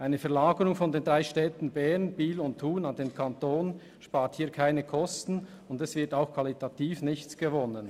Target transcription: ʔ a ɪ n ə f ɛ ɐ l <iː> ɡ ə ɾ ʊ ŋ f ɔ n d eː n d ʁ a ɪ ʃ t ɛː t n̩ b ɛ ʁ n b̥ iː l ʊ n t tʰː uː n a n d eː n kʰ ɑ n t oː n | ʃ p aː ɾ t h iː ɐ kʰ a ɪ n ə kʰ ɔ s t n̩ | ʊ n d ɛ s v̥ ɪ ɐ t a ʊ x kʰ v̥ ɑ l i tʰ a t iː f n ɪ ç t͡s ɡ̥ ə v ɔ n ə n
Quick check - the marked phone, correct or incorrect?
incorrect: aː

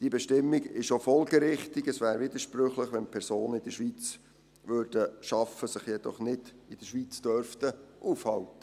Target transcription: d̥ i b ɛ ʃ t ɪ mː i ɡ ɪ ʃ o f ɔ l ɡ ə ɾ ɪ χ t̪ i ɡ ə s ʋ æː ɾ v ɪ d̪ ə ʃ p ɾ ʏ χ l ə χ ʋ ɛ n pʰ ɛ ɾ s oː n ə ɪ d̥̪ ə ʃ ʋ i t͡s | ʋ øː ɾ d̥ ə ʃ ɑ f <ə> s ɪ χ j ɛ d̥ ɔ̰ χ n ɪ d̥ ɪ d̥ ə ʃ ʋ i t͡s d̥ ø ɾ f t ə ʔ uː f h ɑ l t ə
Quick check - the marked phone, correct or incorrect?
correct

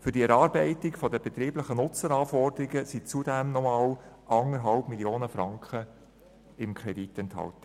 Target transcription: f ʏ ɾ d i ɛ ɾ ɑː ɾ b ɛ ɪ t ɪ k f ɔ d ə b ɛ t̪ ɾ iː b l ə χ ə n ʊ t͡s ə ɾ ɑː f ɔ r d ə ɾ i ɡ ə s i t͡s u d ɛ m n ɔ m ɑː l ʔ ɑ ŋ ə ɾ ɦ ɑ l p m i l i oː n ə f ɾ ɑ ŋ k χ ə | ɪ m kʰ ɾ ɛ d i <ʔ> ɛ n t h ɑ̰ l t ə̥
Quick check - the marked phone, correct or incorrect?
incorrect: t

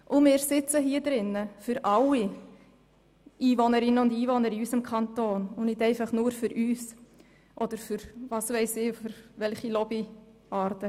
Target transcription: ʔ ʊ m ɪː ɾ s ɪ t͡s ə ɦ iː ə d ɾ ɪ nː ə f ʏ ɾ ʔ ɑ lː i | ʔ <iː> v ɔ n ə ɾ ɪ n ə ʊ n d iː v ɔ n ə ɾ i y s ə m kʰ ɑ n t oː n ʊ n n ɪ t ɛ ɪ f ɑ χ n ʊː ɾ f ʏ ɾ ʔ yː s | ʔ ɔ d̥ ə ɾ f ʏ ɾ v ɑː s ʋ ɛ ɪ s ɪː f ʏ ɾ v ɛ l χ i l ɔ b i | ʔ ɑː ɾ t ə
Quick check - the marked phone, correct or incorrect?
correct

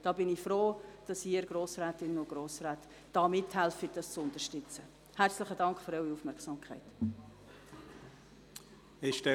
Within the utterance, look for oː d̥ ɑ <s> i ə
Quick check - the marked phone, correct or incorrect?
correct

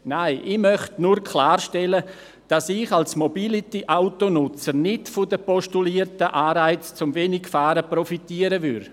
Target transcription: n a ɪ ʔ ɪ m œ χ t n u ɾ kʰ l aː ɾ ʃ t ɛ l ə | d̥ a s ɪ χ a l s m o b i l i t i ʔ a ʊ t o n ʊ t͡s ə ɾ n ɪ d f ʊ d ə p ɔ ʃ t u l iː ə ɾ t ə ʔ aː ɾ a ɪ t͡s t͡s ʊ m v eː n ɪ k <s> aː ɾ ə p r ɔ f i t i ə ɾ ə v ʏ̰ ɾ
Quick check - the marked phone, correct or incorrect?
incorrect: f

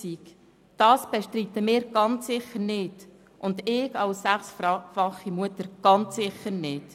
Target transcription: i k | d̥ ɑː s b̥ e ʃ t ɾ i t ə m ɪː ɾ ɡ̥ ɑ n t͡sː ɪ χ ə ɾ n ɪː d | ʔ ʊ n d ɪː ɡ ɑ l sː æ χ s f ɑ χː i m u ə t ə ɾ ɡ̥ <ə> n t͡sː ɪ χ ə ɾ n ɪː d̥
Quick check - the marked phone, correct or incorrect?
incorrect: ɑ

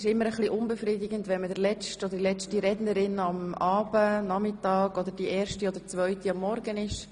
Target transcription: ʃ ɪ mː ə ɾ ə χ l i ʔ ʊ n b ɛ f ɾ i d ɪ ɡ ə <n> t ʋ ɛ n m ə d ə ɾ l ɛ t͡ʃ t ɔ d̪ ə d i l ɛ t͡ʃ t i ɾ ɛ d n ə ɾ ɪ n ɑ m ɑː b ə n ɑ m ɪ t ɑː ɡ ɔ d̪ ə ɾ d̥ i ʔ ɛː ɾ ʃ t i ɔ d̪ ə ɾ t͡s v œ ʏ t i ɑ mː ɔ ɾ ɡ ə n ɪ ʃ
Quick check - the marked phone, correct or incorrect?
correct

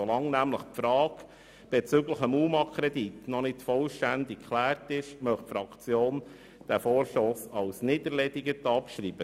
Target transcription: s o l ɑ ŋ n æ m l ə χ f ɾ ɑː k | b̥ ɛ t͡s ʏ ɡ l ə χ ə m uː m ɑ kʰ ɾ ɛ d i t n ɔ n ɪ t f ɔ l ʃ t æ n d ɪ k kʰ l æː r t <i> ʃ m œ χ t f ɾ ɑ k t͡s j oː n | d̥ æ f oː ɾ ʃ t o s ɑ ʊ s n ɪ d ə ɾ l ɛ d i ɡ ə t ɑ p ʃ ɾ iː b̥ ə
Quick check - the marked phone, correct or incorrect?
incorrect: ɪ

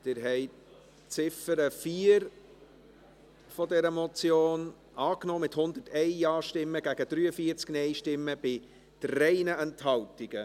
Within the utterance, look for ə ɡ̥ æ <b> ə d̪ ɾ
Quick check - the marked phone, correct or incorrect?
incorrect: ɡ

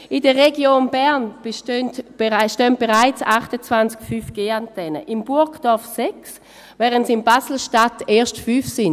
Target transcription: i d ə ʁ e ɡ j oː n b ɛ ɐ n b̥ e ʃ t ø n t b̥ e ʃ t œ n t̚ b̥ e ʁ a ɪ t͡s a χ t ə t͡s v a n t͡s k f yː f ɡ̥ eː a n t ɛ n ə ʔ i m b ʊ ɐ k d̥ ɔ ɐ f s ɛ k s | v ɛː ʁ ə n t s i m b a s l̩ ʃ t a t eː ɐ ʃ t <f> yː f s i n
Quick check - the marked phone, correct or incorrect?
correct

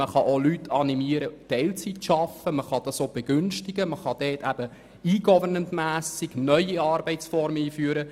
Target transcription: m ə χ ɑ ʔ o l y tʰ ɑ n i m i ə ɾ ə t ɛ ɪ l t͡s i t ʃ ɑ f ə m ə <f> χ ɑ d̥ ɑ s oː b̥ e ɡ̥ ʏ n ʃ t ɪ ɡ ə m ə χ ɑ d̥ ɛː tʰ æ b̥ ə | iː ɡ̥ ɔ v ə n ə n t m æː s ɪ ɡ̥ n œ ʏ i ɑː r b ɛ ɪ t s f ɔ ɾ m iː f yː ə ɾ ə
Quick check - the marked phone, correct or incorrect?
incorrect: none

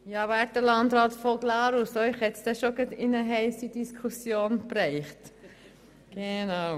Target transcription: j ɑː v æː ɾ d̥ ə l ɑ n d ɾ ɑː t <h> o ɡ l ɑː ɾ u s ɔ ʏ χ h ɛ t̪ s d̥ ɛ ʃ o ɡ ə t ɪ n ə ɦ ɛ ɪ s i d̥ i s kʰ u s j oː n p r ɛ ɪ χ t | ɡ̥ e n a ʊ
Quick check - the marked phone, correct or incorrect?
incorrect: f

